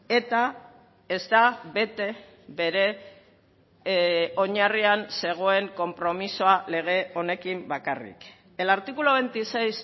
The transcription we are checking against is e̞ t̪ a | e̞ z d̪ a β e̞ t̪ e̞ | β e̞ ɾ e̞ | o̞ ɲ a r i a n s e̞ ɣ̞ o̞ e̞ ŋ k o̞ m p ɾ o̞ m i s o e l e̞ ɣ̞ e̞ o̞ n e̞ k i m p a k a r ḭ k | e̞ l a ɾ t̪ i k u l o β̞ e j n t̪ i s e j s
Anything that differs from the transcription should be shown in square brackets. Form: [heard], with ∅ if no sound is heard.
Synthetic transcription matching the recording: e̞ t̪ a | e̞ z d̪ a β e̞ t̪ e̞ | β e̞ ɾ e̞ | o̞ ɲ a r i a n s e̞ ɣ̞ o̞ e̞ ŋ k o̞ m p ɾ o̞ m i s o [a] l e̞ ɣ̞ e̞ o̞ n e̞ k i m [b] a k a r ḭ k | e̞ l a ɾ t̪ i k u l o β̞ e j n t̪ i s e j s